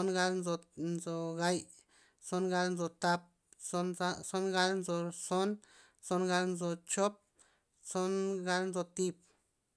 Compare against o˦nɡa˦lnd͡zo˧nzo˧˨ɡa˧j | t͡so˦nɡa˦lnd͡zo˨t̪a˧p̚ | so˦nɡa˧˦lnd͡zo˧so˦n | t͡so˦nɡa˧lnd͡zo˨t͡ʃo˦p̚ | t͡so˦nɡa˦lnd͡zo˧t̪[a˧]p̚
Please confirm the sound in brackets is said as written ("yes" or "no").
no